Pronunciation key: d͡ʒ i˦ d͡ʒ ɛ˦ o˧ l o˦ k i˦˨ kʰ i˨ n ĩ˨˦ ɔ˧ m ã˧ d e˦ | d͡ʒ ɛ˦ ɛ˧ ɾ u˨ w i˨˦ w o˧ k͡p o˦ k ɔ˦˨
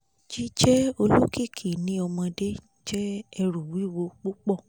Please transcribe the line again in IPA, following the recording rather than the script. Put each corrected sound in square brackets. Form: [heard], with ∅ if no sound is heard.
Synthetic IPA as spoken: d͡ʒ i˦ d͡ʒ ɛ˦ o˧ l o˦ k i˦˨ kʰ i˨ n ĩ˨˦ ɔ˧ m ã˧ d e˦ | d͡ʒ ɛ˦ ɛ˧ ɾ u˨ w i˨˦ w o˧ k͡p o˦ [k͡p] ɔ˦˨